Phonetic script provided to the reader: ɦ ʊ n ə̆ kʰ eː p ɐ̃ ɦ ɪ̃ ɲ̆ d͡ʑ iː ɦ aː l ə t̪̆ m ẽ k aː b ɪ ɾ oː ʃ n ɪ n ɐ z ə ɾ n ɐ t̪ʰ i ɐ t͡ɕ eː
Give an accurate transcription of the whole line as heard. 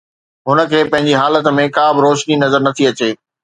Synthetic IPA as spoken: ɦ ʊ n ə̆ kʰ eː p ɐ̃ ɦ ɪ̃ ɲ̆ d͡ʑ i ɦ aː l ə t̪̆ m ẽ k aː b ɪ ɾ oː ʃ n i n ɐ z ə ɾ n ɐ t̪ʰ i ɐ t͡ɕ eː

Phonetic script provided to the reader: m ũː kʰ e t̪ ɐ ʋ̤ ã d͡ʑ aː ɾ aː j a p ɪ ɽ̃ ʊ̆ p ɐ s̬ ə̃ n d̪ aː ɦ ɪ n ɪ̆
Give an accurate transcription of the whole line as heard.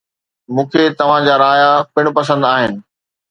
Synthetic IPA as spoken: m ũː kʰ e t̪ ɐ ʋ̤ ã d͡ʑ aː ɾ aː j a p ɪ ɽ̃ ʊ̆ p ɐ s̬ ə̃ n d̪ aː ɦ ɪ n ɪ̆

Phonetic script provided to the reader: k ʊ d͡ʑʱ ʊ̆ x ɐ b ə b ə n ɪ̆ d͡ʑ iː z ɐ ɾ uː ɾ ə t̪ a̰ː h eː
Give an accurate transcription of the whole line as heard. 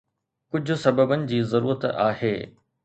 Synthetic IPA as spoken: k ʊ d͡ʑʱ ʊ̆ s ɐ b ə b ə n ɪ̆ d͡ʑ iː z ɐ ɾ uː ɾ ə t̪ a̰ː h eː

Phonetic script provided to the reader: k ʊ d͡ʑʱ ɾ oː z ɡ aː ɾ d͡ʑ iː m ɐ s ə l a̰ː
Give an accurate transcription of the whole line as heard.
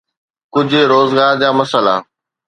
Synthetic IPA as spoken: k ʊ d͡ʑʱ ɾ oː z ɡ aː ɾ d͡ʑ aː m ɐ s ə l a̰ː

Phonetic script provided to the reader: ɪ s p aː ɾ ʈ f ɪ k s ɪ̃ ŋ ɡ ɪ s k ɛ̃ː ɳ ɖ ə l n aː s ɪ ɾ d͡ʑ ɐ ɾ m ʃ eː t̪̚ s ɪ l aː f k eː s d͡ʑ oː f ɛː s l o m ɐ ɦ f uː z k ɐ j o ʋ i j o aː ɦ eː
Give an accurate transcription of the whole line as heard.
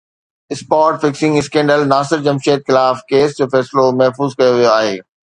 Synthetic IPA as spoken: ɪ s p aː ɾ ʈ f ɪ k s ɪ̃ ŋ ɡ ɪ s k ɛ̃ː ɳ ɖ ə l n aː s ɪ ɾ d͡ʑ ɐ m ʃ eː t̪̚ x ɪ l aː f k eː s d͡ʑ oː f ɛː s l o m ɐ ɦ f uː z k ɐ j o ʋ i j o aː ɦ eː

